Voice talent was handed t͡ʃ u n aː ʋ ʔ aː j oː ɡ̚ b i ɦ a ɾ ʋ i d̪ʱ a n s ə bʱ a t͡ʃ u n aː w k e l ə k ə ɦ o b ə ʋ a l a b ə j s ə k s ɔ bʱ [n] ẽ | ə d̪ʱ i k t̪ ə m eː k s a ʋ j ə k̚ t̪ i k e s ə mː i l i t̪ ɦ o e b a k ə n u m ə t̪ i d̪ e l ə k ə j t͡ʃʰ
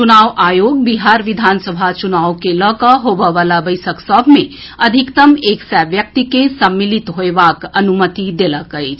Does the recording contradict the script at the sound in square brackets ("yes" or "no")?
yes